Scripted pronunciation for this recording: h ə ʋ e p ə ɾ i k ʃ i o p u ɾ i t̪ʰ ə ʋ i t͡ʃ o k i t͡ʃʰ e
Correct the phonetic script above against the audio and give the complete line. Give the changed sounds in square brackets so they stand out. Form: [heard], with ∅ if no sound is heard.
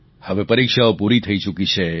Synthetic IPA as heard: h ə ʋ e p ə ɾ i k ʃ [a] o p u ɾ i t̪ʰ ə [∅] i t͡ʃ [u] k i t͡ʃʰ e